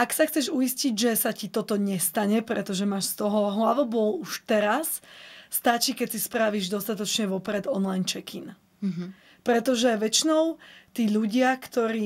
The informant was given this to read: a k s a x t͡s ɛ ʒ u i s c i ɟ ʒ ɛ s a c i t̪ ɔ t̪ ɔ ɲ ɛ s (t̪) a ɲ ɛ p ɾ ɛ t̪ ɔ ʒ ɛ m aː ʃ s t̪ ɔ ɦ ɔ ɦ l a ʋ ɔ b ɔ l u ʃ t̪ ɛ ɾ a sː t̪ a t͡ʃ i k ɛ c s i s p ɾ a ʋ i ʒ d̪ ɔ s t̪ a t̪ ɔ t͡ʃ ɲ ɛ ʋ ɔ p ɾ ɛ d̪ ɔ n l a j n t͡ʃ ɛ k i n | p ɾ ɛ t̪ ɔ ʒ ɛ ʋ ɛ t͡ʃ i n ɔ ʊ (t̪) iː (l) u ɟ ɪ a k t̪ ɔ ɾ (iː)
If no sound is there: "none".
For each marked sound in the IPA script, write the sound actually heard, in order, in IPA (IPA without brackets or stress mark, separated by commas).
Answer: t̪, t̪, ʎ, iː